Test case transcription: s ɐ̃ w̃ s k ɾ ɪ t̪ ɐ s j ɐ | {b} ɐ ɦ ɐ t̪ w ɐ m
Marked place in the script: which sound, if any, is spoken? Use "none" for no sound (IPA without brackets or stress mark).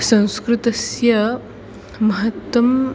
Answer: m